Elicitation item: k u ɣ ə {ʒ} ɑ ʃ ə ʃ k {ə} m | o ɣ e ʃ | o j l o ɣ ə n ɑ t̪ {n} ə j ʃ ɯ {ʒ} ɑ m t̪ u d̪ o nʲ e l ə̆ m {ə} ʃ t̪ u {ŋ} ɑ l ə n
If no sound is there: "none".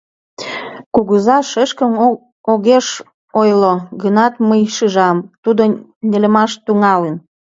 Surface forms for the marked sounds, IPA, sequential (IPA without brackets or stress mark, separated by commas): z, ə, m, ʒ, ɑ, ŋ